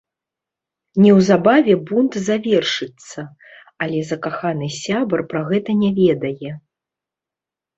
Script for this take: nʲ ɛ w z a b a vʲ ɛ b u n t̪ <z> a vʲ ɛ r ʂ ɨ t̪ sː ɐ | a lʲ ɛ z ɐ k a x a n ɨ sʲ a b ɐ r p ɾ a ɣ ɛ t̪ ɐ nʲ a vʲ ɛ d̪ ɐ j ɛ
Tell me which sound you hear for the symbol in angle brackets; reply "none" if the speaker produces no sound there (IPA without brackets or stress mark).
z